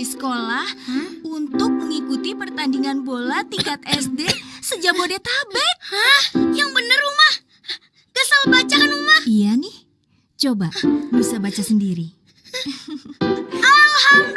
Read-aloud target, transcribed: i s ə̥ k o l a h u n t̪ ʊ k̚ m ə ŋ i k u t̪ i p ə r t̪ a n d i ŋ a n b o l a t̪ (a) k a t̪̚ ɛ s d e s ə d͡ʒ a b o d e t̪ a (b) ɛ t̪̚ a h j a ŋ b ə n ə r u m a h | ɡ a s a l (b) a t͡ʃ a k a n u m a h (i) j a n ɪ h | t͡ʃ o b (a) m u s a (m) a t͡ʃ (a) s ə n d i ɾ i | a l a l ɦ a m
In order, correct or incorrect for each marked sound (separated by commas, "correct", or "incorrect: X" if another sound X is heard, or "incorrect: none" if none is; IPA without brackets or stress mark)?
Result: incorrect: i, correct, correct, correct, correct, incorrect: b, correct